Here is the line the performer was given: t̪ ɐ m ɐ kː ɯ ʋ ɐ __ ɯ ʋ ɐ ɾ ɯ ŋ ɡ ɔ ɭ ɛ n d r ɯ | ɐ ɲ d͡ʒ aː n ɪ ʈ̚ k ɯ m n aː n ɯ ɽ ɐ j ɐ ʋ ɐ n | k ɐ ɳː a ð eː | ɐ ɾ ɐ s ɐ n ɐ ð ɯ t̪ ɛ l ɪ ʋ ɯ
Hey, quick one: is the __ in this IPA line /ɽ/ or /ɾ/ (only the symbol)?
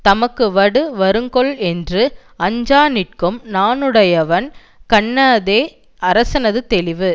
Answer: ɽ